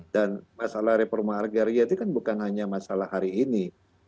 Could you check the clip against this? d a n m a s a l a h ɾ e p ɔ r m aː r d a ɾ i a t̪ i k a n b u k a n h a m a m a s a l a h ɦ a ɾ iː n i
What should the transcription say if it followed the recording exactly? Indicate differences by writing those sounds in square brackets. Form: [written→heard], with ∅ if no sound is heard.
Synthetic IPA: d a n m a s a l a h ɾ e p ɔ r m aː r [d→ɡ] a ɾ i a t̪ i k a n b u k a n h a [m→ɲ] a m a s a l a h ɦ a ɾ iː n i